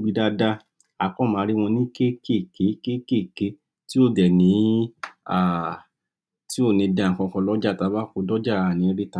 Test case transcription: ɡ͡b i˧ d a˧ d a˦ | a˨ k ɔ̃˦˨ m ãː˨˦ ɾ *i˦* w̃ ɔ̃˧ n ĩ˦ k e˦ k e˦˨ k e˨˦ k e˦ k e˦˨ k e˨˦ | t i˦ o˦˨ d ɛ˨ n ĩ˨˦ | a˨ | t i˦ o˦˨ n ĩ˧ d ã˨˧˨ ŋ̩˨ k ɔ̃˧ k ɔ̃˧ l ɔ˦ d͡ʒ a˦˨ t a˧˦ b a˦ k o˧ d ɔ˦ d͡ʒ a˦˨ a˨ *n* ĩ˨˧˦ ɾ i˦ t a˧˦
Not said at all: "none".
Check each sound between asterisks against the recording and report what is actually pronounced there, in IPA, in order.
i˦, n

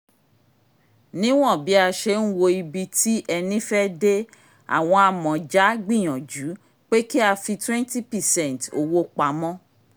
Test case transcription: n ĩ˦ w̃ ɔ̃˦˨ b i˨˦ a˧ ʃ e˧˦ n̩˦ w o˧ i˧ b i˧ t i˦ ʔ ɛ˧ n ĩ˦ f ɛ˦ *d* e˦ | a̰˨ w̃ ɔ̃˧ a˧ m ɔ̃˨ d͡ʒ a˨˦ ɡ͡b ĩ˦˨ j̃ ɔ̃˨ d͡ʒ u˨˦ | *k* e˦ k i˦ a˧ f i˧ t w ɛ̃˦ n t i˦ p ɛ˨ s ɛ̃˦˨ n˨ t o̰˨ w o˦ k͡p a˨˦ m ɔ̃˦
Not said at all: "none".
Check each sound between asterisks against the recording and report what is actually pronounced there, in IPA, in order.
d, k͡p

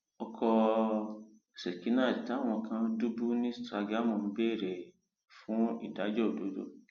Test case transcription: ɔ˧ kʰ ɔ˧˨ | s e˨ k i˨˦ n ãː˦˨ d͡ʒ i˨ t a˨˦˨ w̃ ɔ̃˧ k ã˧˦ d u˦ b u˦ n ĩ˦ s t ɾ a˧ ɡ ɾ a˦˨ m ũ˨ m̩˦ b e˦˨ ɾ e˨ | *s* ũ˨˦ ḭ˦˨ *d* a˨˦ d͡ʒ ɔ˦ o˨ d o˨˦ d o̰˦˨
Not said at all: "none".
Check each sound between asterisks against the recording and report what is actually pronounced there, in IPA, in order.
f, d

